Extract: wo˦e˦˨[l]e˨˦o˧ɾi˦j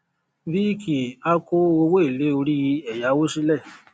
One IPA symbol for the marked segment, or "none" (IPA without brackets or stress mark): l